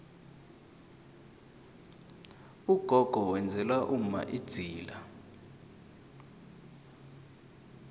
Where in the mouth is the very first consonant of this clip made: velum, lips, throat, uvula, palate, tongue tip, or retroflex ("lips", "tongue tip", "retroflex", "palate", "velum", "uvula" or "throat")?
velum